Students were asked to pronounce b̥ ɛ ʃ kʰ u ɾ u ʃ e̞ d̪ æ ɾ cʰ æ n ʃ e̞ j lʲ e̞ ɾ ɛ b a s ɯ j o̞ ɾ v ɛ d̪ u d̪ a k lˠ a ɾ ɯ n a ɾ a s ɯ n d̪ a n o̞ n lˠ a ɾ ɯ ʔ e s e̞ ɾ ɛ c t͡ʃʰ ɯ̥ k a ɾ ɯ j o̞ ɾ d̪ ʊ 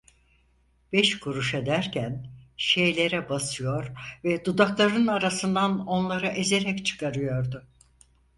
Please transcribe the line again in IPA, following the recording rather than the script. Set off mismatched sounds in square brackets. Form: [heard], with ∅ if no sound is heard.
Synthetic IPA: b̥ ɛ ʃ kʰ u ɾ u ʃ e̞ d̪ æ ɾ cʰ æ n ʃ e̞ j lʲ e̞ ɾ ɛ b a s ɯ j o̞ ɾ v ɛ d̪ u d̪ a k lˠ a ɾ ɯ n a ɾ a s ɯ n d̪ a n o̞ n lˠ a ɾ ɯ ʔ e [z] e̞ ɾ ɛ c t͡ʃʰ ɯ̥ k a ɾ ɯ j o̞ ɾ d̪ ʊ